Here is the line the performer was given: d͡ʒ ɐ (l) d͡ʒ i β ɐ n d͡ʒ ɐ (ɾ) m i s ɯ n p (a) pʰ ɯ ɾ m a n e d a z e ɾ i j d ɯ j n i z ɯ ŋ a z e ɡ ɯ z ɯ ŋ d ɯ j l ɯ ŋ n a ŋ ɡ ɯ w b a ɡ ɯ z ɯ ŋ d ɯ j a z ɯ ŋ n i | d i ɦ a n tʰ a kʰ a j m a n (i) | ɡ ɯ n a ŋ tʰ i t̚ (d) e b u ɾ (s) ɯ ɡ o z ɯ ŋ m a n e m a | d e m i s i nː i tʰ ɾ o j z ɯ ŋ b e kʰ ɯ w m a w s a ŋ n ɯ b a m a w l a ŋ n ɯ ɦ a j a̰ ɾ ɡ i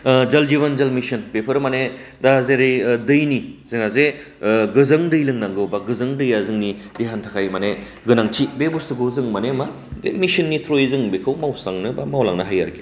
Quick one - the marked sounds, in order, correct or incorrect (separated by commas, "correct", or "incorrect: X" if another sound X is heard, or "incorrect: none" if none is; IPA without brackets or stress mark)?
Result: correct, incorrect: l, incorrect: e, incorrect: e, incorrect: b, correct